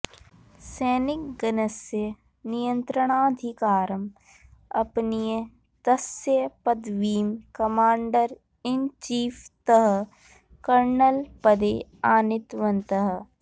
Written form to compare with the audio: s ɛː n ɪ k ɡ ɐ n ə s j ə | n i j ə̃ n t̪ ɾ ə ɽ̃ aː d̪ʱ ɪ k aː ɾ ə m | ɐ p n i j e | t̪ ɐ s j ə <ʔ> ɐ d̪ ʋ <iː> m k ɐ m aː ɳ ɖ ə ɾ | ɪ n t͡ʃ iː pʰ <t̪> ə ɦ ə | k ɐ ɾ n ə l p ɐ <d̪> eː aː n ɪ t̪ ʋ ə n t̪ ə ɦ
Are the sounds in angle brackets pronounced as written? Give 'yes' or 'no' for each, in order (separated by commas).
no, yes, yes, yes